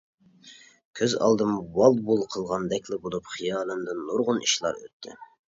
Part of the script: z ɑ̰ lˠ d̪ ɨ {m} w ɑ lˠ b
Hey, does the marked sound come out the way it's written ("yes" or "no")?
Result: yes